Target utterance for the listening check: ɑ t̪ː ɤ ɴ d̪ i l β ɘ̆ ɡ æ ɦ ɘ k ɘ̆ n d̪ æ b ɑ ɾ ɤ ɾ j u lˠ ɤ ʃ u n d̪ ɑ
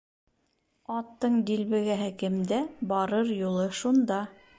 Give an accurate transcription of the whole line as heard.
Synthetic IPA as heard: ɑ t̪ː ɤ ɴ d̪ i l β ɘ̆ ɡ æ ɦ ɘ k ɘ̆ m d̪ æ b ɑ ɾ ɤ ɾ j u lˠ ɤ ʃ u n d̪ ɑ